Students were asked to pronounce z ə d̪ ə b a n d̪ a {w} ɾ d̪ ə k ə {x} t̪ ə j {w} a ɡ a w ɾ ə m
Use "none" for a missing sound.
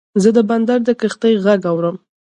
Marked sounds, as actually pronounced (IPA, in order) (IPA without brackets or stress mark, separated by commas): none, x, ɣ